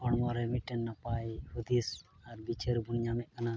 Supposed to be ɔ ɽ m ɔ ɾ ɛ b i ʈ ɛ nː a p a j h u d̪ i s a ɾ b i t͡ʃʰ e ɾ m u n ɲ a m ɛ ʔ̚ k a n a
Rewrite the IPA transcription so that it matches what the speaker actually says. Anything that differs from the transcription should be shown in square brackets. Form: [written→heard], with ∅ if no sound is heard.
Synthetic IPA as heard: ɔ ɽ m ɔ ɾ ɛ [b→m] i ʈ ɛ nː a p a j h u d̪ i s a ɾ b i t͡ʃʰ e ɾ [m→b] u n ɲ a m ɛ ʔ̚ k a n a